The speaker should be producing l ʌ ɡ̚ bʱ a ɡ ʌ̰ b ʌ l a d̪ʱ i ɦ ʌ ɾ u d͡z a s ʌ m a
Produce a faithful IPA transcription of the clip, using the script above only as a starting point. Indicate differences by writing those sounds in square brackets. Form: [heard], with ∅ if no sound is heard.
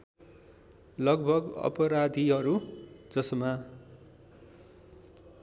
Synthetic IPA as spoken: l ʌ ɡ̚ bʱ [ʌ] ɡ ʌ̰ [p] ʌ [ɾ] a d̪ʱ i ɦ ʌ ɾ u d͡z [ʌ] s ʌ m a